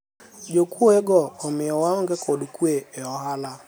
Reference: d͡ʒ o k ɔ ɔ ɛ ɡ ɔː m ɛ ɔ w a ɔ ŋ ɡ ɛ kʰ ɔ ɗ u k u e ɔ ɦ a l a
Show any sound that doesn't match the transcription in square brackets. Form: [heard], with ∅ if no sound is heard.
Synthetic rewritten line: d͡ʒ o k [u] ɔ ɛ ɡ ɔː m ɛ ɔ w a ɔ ŋ ɡ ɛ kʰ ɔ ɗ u k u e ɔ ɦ a l a

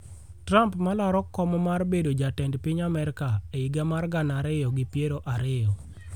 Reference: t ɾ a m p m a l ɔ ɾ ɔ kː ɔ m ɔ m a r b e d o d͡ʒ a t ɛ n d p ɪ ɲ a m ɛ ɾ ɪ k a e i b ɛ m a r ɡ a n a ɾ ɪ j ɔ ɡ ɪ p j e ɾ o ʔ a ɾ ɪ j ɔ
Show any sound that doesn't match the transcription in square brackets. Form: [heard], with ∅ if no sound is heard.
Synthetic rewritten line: t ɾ a m p m a l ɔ ɾ ɔ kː ɔ m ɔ m a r b e d o d͡ʒ a t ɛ n d p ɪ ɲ a m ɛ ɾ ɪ k a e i [ɡ] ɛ m a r ɡ a n a ɾ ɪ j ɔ ɡ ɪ p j e ɾ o ʔ a ɾ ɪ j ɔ

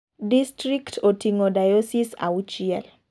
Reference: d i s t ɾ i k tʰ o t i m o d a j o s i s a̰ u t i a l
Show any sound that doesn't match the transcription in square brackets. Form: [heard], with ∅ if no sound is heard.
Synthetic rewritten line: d i s t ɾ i k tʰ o t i [ŋ] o d a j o s i s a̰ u [t͡ʃ] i [ɛ] l

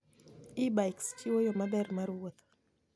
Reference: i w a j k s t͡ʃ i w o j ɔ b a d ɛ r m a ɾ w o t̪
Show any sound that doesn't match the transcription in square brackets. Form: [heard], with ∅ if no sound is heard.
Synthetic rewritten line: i [b] a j k s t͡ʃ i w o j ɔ [m] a d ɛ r m a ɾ w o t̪

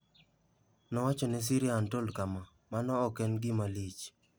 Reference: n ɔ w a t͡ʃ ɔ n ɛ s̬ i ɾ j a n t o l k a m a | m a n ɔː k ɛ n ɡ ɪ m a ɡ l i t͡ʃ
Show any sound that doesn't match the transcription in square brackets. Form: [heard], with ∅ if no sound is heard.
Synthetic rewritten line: n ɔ w a t͡ʃ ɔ n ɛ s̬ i ɾ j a n t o l k a m a | m a n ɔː k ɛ n ɡ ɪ m a [∅] l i t͡ʃ

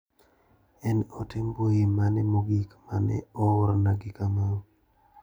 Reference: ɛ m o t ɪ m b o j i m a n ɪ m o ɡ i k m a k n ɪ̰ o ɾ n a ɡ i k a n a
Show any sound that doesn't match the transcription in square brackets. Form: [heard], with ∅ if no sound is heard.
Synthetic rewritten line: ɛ [n] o t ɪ m b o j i m a n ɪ m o ɡ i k m a [∅] n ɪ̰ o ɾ n a ɡ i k a [m] a

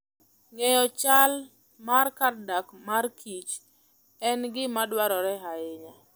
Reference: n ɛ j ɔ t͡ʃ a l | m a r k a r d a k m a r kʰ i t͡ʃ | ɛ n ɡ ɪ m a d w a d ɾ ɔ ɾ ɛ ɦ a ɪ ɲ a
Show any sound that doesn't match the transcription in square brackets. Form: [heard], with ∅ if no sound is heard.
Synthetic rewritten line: [ŋ] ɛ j ɔ t͡ʃ a l | m a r k a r d a k m a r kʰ i t͡ʃ | ɛ n ɡ ɪ m a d w a [∅] ɾ ɔ ɾ ɛ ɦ a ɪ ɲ a

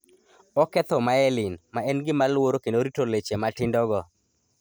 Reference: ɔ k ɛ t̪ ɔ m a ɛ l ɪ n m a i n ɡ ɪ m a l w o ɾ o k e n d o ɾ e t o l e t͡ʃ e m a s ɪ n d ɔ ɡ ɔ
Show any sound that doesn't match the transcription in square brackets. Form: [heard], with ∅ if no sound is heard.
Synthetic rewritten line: ɔ k ɛ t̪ ɔ m a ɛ l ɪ n m a [ɛ] n ɡ ɪ m a l w o ɾ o k e n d o ɾ [i] t o l e t͡ʃ e m a [t] ɪ n d ɔ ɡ ɔ

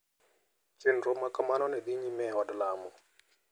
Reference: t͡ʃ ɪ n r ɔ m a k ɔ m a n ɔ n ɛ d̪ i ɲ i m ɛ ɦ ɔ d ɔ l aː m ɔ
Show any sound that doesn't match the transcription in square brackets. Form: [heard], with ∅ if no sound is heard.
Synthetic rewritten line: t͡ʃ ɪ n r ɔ m a k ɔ m a n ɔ n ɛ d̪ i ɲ i m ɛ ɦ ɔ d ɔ l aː m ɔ

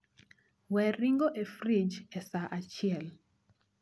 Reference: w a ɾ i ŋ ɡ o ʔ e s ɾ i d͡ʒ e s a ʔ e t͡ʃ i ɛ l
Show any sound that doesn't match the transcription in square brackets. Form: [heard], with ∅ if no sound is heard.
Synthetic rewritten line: w [ɛ] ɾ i ŋ ɡ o ʔ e [f] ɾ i d͡ʒ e s a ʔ [a] t͡ʃ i ɛ l

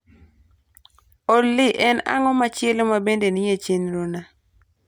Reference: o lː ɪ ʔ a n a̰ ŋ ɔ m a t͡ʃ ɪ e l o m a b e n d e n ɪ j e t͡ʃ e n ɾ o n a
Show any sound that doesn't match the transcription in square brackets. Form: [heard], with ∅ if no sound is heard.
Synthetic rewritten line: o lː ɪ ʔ [ɛ] n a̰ ŋ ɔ m a t͡ʃ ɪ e l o m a b e n d e n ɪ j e t͡ʃ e n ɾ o n a

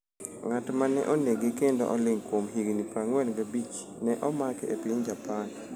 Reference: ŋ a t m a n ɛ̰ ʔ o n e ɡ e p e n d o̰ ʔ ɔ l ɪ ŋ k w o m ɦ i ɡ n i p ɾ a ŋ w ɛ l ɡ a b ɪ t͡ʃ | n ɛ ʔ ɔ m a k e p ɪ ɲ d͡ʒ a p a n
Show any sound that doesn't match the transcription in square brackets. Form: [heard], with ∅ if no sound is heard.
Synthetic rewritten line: ŋ a t m a n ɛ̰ ʔ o n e ɡ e [k] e n d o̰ ʔ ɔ l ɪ ŋ k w o m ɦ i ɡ n i p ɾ a ŋ w ɛ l ɡ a b [i] t͡ʃ | n ɛ ʔ ɔ m a k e p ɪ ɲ d͡ʒ a p a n

